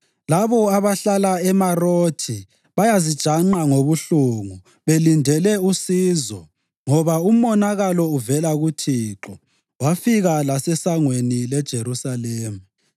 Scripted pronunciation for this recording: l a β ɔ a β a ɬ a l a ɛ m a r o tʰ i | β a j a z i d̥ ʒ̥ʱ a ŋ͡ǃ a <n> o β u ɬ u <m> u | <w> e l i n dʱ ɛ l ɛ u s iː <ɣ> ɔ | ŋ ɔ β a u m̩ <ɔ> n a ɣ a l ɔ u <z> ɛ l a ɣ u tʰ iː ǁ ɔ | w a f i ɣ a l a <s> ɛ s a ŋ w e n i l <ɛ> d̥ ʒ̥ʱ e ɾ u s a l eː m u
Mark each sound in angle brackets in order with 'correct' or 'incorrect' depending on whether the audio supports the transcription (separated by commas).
incorrect, incorrect, incorrect, incorrect, correct, incorrect, correct, correct